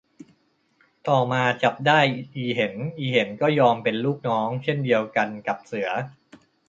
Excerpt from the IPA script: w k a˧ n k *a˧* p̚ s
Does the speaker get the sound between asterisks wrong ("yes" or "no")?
yes